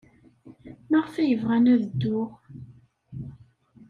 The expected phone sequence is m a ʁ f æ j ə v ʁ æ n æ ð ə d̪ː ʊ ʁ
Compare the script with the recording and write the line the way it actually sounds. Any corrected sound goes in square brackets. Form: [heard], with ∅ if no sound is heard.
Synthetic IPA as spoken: m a ʁ f æ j ə v ʁ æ n æ ð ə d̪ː ʊ ʁ